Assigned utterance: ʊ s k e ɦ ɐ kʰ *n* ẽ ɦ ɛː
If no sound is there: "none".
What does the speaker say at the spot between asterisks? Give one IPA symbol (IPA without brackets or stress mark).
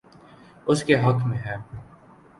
m